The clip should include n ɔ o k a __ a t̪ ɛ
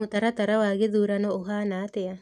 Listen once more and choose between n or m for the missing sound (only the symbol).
n